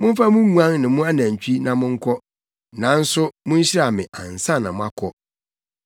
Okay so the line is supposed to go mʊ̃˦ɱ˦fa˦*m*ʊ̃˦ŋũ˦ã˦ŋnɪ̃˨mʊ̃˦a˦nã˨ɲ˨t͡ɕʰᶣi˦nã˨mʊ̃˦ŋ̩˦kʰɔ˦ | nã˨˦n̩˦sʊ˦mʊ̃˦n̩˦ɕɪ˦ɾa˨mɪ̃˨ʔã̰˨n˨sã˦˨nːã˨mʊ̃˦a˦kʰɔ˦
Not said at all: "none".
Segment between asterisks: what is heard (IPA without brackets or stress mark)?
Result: m